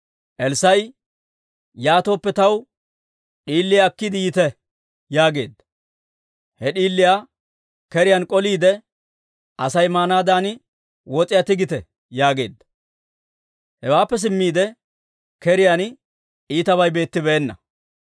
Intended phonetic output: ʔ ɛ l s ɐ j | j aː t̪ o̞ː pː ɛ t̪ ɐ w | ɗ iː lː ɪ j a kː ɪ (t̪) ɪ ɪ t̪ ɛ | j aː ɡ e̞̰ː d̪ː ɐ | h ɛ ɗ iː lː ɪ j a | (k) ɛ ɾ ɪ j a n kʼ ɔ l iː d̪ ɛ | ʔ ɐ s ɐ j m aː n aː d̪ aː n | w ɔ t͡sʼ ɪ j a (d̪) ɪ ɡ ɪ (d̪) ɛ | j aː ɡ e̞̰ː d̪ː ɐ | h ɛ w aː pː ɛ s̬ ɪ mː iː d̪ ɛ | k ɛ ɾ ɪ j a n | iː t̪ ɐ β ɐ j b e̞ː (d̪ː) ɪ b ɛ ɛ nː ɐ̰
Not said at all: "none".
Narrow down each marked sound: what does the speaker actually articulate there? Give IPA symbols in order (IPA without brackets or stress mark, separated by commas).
d̪, k, t̪, t̪, t̪ː